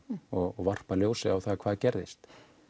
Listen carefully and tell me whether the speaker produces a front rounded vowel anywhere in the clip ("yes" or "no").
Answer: no